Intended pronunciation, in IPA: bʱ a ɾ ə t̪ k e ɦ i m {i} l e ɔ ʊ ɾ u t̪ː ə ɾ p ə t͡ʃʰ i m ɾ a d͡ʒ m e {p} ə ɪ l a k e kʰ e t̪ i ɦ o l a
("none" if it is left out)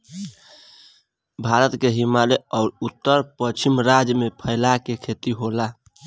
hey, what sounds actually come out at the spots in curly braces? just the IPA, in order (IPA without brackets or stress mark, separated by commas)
a, pʰ